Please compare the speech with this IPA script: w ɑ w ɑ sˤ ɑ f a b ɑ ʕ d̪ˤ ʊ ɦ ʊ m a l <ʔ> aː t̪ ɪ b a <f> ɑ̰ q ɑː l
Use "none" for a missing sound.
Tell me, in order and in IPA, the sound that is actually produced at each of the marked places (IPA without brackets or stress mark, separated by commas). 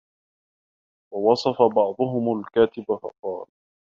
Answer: k, f